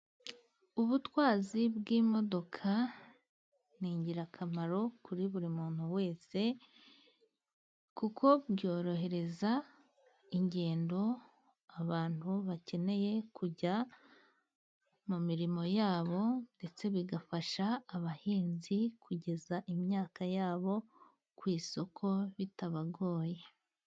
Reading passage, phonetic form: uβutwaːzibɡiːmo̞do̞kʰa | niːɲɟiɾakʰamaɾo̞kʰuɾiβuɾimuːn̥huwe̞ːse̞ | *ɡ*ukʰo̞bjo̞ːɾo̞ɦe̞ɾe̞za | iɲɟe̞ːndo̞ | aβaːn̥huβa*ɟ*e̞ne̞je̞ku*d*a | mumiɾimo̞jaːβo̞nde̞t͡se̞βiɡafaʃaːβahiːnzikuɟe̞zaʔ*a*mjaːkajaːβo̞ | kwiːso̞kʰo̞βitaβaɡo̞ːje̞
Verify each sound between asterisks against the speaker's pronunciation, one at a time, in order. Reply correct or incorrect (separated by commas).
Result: incorrect, incorrect, incorrect, incorrect